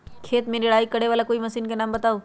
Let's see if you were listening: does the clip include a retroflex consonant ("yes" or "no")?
yes